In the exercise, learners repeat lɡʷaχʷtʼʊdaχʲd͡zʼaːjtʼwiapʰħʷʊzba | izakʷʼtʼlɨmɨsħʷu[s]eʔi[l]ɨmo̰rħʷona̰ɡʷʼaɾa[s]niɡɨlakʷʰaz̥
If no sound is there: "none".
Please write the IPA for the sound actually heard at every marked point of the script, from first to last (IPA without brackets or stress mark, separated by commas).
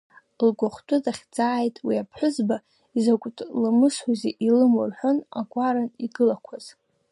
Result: z, l, none